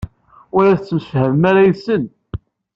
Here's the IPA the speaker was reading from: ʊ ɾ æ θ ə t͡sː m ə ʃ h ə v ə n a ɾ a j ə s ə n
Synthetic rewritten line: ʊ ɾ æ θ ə t͡sː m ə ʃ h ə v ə m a ɾ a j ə s ə n